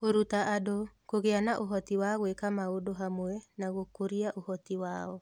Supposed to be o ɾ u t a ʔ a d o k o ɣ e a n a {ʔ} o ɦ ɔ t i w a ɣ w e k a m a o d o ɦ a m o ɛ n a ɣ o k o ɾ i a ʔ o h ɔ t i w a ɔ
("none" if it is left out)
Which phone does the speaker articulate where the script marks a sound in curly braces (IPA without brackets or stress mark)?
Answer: ʔ